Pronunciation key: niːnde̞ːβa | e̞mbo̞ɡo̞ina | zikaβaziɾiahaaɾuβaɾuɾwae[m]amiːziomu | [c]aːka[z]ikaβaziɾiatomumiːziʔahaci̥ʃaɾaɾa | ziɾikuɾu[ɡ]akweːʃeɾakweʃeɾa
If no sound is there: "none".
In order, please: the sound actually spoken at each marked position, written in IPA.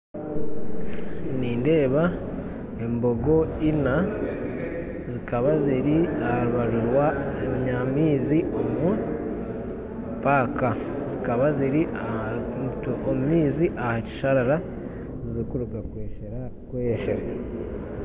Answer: ɲ, p, z, ɡ

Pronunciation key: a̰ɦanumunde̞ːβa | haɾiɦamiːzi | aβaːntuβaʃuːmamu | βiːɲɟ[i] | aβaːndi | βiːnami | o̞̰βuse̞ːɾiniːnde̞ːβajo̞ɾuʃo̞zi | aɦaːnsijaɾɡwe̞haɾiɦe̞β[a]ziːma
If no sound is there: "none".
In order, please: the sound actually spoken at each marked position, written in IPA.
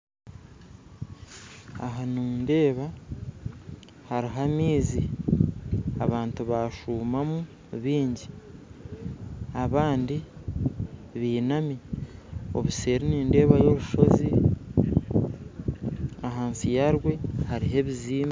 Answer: i, i

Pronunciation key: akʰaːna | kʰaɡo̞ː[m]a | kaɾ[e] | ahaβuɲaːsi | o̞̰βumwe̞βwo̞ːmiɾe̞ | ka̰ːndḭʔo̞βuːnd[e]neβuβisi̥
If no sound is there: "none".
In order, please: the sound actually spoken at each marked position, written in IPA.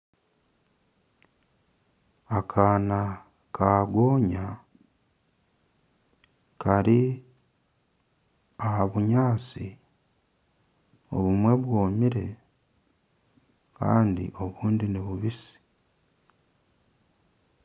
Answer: ɲ, i, i

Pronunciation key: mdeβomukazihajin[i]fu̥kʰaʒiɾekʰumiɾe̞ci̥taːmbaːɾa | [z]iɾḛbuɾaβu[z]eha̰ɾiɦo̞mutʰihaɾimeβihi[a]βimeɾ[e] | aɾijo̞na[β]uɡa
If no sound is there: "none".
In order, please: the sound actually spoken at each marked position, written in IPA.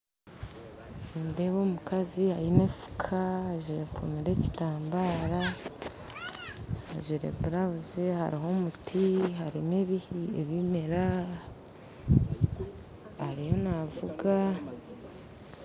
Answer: e, ʒ, z, e, a, v

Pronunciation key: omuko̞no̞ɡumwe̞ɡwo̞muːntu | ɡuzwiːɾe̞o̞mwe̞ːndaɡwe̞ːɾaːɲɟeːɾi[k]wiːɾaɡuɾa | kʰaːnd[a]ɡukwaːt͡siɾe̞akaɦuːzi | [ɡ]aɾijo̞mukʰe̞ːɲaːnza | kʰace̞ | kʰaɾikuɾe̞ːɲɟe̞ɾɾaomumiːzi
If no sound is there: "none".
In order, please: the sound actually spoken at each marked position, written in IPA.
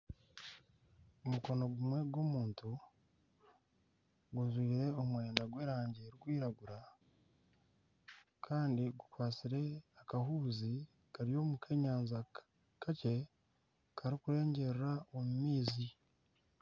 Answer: ɡ, i, k

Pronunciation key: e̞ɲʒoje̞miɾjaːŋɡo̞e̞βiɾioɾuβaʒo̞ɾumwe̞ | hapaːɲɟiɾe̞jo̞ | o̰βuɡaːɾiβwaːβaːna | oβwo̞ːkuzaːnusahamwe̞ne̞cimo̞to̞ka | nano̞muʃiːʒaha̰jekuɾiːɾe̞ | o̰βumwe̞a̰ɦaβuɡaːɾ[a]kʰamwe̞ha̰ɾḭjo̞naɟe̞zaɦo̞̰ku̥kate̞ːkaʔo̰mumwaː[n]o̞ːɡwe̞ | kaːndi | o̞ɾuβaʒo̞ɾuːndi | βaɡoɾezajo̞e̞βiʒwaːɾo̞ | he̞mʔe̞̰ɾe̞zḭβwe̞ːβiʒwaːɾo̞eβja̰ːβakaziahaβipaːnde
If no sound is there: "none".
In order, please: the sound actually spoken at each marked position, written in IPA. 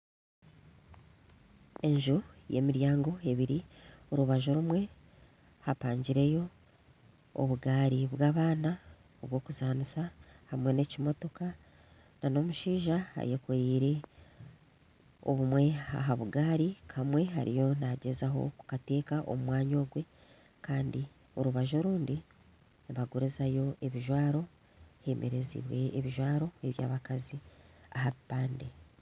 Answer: i, ɲ

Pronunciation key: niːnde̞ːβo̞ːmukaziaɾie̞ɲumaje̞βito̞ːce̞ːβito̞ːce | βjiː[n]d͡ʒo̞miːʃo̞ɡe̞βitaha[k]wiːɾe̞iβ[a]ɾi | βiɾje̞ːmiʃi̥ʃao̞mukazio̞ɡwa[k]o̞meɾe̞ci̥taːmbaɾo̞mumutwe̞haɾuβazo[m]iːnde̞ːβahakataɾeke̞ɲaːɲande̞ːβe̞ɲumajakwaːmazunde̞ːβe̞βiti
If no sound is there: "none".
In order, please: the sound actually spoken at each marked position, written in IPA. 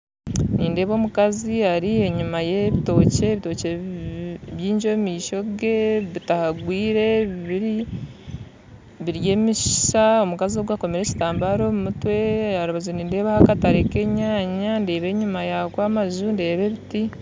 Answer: ɲ, ɡ, i, k, n

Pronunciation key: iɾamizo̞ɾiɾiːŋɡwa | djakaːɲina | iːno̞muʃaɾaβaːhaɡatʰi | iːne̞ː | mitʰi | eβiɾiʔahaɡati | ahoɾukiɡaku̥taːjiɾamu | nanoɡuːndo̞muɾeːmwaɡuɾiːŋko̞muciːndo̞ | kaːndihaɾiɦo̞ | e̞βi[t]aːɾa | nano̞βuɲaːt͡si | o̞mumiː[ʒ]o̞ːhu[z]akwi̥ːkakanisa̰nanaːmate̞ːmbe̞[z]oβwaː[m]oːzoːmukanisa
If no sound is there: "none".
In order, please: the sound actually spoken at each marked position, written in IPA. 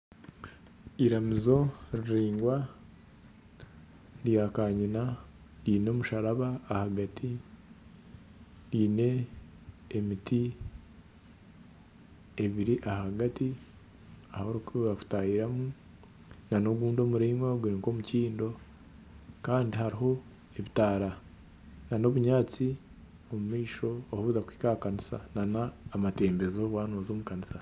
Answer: t, ʃ, z, z, n

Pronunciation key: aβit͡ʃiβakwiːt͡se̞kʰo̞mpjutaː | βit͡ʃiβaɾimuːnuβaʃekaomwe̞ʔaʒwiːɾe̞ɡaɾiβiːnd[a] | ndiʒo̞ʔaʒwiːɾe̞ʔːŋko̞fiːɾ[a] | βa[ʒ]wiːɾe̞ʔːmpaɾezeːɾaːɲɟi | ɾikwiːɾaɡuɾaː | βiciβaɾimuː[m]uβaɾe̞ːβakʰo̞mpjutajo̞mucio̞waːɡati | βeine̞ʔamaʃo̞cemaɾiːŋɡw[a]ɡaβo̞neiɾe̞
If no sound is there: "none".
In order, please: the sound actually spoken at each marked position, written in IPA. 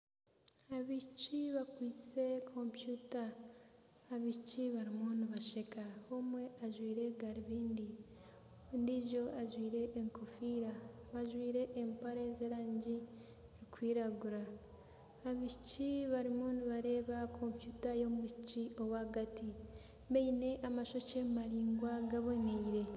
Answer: i, a, ʒ, n, a

